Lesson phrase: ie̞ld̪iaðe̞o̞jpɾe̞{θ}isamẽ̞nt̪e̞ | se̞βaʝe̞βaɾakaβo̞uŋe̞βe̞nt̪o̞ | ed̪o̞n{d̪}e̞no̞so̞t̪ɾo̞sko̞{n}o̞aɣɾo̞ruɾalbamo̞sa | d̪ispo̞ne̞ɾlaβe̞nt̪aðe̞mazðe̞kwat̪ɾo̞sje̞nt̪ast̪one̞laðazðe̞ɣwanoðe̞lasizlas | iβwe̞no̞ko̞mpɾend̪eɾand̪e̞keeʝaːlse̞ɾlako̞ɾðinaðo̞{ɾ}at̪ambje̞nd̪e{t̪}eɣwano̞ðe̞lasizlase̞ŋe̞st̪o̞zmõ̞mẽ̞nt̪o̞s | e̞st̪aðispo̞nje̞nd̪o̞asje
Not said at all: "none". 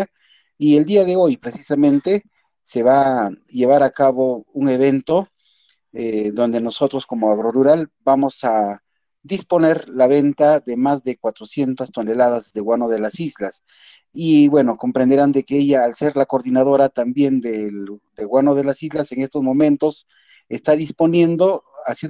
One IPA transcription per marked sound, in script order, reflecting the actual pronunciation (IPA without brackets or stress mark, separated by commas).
s, d̪, m, ɾ, d̪